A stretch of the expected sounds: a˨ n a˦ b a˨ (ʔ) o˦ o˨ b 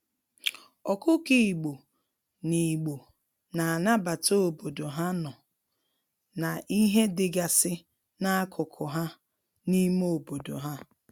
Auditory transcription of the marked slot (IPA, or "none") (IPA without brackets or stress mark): t